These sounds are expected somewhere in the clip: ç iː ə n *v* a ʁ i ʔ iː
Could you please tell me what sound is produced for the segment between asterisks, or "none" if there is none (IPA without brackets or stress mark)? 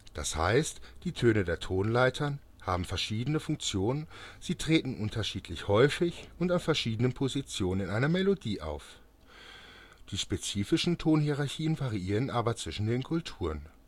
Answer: v